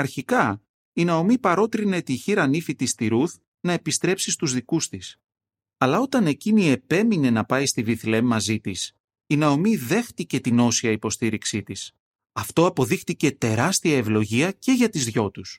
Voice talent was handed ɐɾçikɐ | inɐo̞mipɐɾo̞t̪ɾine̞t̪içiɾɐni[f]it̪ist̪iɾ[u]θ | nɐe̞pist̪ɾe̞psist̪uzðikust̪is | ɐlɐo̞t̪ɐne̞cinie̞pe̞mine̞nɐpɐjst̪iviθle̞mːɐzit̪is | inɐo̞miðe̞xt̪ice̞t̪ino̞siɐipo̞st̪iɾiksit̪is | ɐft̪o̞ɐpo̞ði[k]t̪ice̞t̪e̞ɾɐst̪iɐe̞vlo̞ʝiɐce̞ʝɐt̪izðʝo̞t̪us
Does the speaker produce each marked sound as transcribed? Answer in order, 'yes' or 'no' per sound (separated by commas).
yes, yes, no